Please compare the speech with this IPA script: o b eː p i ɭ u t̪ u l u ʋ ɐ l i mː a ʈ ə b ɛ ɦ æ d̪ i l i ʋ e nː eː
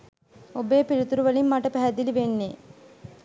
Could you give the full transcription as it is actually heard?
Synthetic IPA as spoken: o b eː p i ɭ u t̪ u ɾ u ʋ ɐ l i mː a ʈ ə p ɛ ɦ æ d̪ i l i ʋ e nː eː